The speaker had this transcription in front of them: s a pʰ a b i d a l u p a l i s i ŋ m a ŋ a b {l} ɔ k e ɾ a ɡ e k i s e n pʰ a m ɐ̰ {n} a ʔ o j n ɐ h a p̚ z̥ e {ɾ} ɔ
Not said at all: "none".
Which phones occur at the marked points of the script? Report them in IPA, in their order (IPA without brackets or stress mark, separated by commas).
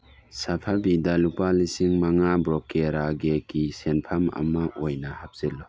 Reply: ɾ, m, l